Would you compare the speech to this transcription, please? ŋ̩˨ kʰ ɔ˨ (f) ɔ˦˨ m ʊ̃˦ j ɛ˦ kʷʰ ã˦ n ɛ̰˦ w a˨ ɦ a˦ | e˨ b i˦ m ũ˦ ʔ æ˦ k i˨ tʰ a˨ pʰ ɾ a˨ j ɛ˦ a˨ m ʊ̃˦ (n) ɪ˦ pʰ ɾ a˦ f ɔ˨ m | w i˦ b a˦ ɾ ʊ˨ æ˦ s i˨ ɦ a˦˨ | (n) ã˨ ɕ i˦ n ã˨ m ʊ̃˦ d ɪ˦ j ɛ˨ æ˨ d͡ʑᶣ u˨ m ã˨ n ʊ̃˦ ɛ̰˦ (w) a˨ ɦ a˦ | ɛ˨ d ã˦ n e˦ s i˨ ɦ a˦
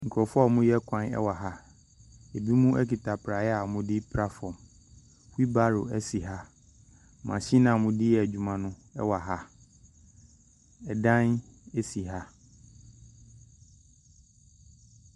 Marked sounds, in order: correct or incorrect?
correct, incorrect, incorrect, correct

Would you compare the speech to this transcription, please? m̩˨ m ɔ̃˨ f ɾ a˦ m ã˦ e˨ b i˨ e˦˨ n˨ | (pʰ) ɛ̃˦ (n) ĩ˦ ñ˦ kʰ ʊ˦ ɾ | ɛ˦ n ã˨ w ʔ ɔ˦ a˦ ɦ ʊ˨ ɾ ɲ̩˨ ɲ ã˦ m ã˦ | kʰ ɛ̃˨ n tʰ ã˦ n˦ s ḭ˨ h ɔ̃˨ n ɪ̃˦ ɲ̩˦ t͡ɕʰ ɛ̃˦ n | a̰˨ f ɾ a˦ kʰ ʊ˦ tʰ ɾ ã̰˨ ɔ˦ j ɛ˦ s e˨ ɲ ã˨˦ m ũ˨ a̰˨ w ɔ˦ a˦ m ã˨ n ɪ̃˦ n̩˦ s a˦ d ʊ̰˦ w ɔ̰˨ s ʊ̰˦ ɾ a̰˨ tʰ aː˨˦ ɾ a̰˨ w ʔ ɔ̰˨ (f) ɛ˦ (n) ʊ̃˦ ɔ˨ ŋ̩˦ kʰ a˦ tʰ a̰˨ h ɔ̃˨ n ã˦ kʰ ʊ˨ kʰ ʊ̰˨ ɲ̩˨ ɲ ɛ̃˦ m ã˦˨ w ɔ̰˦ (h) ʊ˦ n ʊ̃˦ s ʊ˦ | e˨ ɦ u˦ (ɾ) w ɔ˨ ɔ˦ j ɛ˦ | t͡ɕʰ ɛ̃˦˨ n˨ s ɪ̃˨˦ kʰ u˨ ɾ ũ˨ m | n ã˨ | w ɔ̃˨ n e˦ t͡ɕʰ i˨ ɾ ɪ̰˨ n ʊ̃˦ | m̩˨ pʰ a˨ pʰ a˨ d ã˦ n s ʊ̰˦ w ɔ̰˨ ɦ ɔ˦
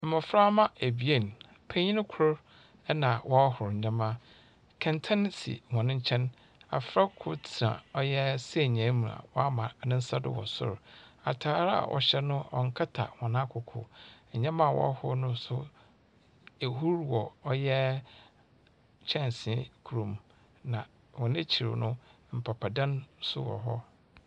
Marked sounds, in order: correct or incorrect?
correct, incorrect, incorrect, correct, correct, correct

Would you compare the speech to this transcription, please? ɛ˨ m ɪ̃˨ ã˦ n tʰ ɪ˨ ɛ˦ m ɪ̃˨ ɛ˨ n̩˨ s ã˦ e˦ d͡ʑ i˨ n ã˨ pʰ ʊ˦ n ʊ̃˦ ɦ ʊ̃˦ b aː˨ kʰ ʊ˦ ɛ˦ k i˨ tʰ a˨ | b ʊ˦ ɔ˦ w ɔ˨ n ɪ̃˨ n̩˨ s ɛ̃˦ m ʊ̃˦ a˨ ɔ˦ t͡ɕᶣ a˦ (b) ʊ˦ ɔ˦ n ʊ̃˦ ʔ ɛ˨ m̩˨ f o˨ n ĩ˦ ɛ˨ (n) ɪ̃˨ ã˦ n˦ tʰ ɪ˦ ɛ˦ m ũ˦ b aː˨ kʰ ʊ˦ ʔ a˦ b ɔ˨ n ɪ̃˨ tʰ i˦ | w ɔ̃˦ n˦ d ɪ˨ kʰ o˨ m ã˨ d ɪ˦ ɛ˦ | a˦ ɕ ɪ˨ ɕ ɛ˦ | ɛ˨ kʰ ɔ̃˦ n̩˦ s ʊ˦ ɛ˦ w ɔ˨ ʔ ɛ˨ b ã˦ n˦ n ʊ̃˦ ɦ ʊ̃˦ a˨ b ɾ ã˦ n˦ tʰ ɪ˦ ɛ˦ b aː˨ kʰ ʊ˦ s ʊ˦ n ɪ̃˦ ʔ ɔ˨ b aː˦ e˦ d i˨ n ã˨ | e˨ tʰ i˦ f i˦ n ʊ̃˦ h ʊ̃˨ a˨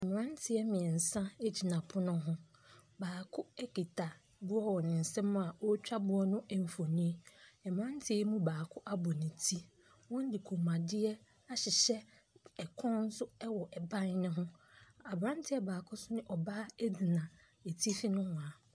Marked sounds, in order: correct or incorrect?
correct, incorrect

